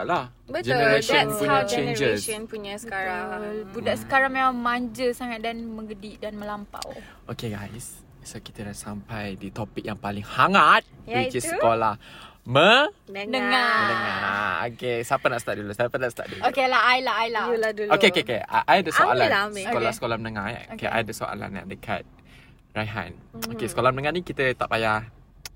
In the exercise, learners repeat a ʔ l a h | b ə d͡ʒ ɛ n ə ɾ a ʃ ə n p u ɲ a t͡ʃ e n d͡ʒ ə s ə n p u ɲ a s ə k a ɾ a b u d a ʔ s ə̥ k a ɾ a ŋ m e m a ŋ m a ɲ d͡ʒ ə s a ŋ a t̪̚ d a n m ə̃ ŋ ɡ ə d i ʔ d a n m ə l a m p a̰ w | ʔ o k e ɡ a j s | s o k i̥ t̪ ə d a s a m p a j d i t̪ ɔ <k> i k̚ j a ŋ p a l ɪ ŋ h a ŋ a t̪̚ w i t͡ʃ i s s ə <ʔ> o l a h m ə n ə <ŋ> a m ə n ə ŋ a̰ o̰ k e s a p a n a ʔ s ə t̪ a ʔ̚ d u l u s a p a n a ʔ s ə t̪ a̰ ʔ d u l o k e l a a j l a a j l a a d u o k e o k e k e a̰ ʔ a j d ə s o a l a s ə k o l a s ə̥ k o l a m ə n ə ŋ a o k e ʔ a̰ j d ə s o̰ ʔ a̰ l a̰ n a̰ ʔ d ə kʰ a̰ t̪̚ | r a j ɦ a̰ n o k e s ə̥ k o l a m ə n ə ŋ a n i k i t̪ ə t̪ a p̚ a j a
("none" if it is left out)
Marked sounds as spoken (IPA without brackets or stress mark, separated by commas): p, k, ŋ